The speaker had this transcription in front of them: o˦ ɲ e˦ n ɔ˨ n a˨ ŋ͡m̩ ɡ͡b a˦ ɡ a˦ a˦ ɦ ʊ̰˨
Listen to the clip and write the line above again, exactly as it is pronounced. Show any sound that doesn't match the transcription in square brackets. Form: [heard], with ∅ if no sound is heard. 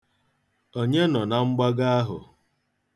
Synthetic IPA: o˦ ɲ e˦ n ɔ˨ n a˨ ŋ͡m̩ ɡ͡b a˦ ɡ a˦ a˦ ɦ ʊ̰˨